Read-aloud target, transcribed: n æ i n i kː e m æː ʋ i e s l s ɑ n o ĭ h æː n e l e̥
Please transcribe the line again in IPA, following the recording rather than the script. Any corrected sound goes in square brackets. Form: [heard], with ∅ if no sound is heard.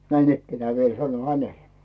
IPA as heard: n æ i n i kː e [n] æː ʋ i e [∅] l s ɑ n o ĭ h [æ] n e l e̥